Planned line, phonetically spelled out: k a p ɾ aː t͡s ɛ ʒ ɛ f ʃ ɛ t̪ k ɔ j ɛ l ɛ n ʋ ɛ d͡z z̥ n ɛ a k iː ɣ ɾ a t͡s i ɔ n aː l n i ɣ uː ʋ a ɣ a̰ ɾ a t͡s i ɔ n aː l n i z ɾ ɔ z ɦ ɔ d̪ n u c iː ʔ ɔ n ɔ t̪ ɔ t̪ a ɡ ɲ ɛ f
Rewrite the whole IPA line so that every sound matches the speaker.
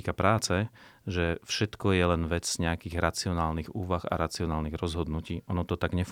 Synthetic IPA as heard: k a p ɾ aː t͡s ɛ ʒ ɛ f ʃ ɛ t̪ k ɔ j ɛ l ɛ n ʋ ɛ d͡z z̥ ɲ ɛ a k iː ɣ ɾ a t͡s i ɔ n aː l n i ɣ uː ʋ a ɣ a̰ ɾ a t͡s i ɔ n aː l n i ɣ ɾ ɔ z ɦ ɔ d̪ n u c iː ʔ ɔ n ɔ t̪ ɔ t̪ a ɡ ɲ ɛ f